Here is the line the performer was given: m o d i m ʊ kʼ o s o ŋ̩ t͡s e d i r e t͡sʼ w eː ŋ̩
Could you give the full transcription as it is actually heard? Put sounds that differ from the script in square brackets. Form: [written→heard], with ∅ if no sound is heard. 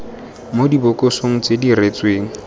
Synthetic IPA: m o d i [m→b] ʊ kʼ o s o ŋ̩ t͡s e d i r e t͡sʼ w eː ŋ̩